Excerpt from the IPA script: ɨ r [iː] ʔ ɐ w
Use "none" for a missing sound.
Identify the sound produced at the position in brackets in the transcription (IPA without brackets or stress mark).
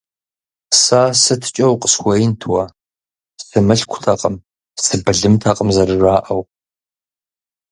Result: aː